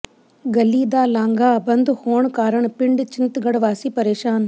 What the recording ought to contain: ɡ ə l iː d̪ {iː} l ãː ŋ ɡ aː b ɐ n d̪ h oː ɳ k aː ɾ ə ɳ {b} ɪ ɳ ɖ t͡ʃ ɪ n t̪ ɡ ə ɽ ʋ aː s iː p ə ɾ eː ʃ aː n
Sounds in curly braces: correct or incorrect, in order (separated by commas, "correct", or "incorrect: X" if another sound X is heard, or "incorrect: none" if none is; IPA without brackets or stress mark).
incorrect: aː, incorrect: p